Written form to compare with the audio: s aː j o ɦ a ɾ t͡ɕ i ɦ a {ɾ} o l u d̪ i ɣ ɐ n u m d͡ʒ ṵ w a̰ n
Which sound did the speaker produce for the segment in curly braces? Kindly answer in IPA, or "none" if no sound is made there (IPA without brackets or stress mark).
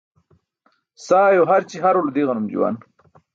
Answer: ɾ